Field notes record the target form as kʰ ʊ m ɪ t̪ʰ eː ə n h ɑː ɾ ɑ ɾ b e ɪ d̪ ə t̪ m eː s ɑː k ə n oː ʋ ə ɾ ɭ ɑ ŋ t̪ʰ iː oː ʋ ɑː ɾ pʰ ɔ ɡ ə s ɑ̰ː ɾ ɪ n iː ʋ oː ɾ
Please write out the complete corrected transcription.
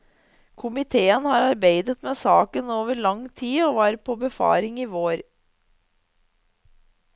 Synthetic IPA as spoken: kʰ ʊ m ɪ t̪ʰ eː ə n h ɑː ɾ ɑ ɾ b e ɪ d̪ ə t̪ m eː s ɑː k ə n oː ʋ ə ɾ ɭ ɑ ŋ t̪ʰ iː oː ʋ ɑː ɾ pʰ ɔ b ə f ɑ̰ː ɾ ɪ ŋ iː ʋ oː ɾ